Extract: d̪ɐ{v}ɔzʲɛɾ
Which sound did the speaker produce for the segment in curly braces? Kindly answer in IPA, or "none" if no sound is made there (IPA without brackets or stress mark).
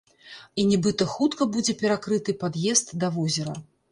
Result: v